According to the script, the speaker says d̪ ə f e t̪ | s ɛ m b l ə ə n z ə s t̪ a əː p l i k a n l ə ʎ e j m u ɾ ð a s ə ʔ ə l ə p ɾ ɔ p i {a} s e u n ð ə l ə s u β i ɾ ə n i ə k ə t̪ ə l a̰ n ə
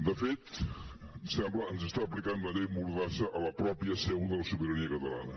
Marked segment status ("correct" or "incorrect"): incorrect